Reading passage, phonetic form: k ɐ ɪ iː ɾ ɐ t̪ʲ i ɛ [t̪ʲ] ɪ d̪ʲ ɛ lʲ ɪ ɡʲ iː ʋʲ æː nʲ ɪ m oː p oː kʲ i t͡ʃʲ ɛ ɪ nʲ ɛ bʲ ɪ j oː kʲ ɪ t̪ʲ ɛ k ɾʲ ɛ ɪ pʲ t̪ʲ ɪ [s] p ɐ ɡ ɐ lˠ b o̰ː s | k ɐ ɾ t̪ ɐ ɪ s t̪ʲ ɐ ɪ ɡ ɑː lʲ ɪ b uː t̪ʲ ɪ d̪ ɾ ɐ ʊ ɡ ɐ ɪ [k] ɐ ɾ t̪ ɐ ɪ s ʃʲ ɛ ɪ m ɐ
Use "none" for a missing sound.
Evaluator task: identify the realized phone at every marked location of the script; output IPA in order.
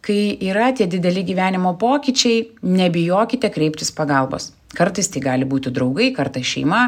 d̪ʲ, s, k

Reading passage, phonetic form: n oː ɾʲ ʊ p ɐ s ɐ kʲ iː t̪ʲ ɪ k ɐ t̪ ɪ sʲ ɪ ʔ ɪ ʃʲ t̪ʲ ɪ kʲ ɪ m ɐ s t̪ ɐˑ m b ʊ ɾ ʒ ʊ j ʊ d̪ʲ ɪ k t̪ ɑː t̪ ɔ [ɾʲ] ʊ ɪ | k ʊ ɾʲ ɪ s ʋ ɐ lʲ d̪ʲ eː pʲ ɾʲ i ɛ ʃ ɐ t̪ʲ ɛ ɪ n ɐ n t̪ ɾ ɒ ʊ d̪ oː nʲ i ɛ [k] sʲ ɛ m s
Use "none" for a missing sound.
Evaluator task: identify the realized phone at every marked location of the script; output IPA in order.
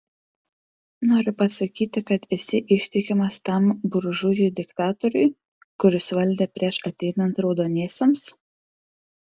ɾʲ, none

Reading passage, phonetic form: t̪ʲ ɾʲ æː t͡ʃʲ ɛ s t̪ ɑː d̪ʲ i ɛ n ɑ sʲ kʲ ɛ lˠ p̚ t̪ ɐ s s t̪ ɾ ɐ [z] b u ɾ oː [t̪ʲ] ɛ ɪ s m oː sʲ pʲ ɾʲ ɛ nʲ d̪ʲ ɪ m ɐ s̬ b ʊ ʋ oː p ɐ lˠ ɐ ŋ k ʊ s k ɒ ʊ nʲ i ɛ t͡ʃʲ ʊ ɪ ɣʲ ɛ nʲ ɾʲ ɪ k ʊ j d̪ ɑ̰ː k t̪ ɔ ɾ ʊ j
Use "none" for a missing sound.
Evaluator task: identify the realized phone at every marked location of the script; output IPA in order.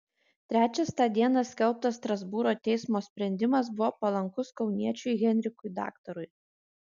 z, t̪ʲ

